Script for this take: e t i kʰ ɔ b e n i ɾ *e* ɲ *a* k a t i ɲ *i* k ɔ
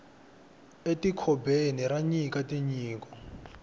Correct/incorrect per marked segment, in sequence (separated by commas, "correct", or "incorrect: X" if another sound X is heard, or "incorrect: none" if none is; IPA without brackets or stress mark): incorrect: a, incorrect: i, incorrect: iː